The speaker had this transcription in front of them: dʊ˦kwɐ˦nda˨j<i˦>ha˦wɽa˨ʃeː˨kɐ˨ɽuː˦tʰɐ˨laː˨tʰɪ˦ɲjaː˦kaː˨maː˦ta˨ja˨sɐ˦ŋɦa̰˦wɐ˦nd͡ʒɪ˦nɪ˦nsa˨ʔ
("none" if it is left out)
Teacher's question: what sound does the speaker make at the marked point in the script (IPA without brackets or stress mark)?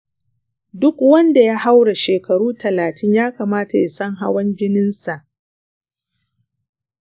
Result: a˦